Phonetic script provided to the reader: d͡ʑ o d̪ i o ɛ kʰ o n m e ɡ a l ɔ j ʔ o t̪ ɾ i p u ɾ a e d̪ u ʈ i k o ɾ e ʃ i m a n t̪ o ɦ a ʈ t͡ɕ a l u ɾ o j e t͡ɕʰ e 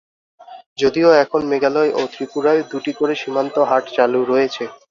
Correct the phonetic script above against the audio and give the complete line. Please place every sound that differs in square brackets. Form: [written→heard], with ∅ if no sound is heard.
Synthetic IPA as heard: d͡ʑ o d̪ i o ɛ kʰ o n m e ɡ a l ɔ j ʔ o t̪ ɾ i p u ɾ a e d̪ u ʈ i k o ɾ e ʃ i m a n t̪ o ɦ a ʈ t͡ɕ a l u ɾ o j e t͡ɕʰ e